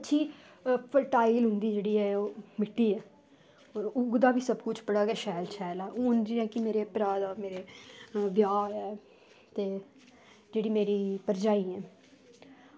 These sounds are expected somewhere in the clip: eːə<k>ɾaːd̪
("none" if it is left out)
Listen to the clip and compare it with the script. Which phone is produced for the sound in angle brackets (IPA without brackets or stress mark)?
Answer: p